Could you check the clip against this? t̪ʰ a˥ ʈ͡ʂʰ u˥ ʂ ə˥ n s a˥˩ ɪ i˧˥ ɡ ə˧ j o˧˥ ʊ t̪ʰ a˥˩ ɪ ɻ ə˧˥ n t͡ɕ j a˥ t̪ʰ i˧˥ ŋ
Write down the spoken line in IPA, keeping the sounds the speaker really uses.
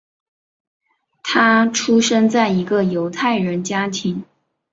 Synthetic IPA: t̪ʰ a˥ ʈ͡ʂʰ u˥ ʂ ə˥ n t͡s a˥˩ ɪ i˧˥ ɡ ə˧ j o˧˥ ʊ t̪ʰ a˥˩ ɪ ɻ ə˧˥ n t͡ɕ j a˥ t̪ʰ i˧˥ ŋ